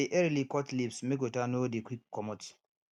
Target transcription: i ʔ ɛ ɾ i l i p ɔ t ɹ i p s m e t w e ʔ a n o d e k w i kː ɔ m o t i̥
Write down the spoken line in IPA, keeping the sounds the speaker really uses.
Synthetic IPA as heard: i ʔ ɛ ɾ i l i k ɔ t l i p s m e k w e t a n o d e k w i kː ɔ m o t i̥